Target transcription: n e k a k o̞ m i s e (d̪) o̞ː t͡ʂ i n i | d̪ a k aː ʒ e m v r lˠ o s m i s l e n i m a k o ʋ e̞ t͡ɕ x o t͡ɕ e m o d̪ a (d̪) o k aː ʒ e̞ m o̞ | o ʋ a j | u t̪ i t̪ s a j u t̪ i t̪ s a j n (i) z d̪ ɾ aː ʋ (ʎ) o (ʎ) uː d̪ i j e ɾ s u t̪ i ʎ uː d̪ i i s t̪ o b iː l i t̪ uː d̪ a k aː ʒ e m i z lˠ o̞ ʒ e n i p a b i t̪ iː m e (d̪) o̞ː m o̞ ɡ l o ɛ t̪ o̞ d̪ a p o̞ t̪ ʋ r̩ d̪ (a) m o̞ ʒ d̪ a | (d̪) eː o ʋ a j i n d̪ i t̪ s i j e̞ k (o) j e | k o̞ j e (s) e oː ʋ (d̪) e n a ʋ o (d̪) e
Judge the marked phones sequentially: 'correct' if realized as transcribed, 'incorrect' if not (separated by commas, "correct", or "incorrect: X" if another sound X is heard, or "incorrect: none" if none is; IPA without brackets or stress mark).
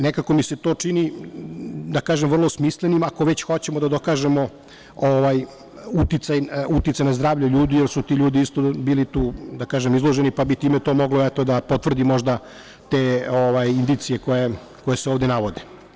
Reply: incorrect: t̪, correct, incorrect: a, correct, correct, incorrect: t̪, incorrect: i, incorrect: t̪, correct, correct, correct, correct